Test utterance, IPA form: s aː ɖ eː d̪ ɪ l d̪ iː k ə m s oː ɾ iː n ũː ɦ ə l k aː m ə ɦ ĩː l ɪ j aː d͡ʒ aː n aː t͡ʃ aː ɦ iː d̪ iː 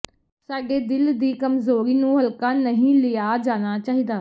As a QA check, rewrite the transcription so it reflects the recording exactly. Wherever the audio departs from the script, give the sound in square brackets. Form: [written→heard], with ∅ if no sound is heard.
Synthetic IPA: s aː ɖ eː d̪ ɪ l d̪ iː k ə m [s→z] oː ɾ iː n ũː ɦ ə l k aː [m→n] ə ɦ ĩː l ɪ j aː d͡ʒ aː n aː t͡ʃ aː ɦ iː d̪ [iː→aː]